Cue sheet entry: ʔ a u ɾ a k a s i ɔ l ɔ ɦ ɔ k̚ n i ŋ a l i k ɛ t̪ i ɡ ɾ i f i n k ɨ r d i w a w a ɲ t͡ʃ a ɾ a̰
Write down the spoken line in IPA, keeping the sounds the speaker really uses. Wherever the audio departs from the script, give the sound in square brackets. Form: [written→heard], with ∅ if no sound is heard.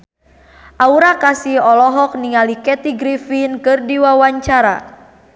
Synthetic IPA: ʔ a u ɾ a k a s i ɔ l ɔ ɦ ɔ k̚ n i ŋ a l i k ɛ t̪ i ɡ ɾ i f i n k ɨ r d i w a w a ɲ t͡ʃ a ɾ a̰